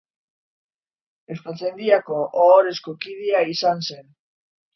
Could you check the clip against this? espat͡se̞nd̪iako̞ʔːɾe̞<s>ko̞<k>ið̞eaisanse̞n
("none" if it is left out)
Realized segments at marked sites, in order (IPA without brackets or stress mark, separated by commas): s, k